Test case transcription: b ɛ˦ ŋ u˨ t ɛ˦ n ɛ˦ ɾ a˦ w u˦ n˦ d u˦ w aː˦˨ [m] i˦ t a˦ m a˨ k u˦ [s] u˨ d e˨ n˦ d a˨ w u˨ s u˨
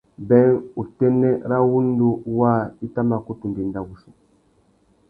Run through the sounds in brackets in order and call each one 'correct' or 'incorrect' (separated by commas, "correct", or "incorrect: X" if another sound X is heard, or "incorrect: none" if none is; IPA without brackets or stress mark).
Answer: incorrect: none, incorrect: t